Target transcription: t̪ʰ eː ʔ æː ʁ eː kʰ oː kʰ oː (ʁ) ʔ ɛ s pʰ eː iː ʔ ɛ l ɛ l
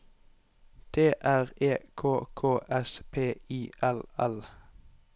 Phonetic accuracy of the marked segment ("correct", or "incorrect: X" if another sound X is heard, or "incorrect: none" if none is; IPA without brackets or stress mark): incorrect: none